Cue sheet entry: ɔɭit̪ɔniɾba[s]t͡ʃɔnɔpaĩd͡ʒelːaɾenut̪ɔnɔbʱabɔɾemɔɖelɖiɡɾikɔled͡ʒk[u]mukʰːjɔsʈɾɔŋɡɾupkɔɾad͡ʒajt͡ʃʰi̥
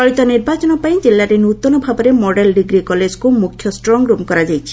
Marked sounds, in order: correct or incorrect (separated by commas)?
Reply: incorrect, correct